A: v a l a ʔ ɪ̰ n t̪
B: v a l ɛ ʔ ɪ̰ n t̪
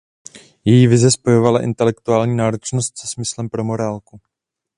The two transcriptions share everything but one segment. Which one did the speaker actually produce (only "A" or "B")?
A